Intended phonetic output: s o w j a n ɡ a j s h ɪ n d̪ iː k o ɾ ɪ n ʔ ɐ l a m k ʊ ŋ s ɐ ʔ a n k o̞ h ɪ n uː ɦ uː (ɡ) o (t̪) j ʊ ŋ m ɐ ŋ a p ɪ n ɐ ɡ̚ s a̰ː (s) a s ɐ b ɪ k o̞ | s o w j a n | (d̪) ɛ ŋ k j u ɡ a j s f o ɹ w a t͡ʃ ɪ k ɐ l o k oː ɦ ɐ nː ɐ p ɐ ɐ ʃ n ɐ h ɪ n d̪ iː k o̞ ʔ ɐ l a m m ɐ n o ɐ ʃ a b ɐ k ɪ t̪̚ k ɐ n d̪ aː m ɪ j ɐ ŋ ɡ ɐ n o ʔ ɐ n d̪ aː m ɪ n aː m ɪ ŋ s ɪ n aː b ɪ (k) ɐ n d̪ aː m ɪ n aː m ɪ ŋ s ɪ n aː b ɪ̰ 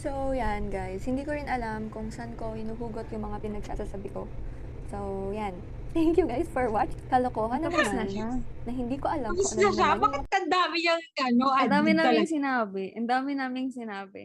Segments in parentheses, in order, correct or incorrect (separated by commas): correct, correct, correct, incorrect, incorrect